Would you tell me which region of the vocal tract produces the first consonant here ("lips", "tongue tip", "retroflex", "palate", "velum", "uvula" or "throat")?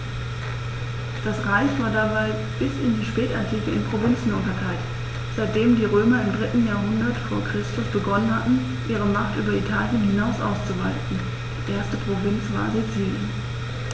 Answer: tongue tip